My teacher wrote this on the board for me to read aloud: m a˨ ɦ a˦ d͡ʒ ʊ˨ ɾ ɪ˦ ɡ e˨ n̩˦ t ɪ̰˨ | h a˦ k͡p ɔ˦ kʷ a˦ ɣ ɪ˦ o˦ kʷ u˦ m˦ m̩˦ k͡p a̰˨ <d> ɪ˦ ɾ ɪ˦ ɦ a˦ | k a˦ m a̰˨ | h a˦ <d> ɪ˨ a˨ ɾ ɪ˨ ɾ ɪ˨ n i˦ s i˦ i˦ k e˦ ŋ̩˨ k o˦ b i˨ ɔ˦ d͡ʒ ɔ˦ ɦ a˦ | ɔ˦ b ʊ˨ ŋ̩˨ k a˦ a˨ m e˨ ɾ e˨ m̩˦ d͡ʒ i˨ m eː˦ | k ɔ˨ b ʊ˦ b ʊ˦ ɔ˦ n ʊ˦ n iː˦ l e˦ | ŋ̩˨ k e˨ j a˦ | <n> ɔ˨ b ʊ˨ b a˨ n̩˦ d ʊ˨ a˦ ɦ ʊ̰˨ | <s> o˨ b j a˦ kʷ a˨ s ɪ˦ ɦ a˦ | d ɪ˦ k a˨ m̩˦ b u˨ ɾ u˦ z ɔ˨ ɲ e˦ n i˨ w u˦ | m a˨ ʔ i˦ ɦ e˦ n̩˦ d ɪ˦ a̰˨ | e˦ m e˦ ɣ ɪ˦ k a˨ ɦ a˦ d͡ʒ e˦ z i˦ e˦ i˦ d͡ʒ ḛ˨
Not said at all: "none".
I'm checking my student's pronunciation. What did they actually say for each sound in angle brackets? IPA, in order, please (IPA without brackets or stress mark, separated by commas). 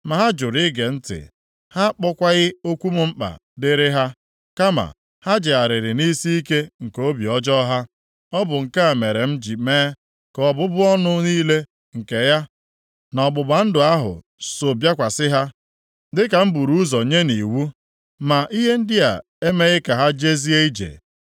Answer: d, d͡ʒ, n, s